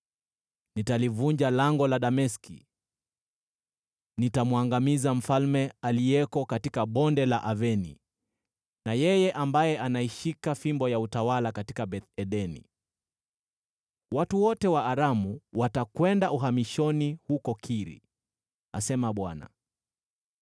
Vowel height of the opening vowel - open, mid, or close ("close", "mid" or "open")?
close